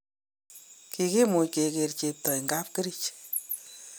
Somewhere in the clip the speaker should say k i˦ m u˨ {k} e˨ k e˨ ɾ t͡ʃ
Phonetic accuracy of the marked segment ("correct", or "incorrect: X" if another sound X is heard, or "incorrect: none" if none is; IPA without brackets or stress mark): correct